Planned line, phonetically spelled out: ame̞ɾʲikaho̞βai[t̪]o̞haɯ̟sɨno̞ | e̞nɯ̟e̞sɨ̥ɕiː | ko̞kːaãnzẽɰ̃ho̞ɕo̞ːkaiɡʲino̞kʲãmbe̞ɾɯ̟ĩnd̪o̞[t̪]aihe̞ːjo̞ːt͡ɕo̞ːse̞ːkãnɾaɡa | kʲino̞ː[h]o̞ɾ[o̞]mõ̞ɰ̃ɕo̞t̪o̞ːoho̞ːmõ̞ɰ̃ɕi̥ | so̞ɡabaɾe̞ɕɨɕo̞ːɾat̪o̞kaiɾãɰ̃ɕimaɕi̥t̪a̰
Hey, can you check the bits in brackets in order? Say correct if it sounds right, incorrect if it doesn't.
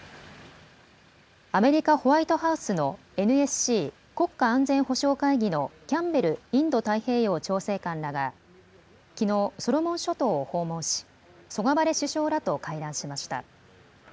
correct, correct, incorrect: s, correct

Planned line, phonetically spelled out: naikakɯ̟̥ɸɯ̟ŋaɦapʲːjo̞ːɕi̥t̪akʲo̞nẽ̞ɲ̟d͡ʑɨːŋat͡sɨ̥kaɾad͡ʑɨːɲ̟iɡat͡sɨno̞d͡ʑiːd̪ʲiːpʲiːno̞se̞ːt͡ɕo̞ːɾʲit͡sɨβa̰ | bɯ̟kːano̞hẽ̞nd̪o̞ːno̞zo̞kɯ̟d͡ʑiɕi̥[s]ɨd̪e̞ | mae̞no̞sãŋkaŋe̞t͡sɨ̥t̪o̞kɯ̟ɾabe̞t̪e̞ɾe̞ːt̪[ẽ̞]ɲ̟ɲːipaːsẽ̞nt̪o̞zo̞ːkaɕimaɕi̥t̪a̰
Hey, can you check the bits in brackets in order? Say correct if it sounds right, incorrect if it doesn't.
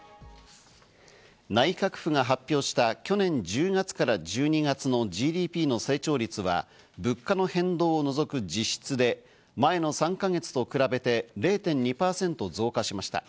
incorrect: t͡s, correct

